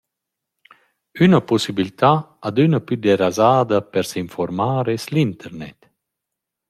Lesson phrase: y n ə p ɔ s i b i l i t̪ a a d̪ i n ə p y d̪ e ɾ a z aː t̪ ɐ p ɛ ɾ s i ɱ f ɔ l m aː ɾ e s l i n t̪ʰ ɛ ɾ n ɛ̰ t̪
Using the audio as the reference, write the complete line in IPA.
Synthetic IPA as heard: y n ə p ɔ s i b i l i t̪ a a d̪ y n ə p y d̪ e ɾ a z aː d̪ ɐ p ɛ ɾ s i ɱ f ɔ ɾ m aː ɾ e s l i n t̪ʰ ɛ ɾ n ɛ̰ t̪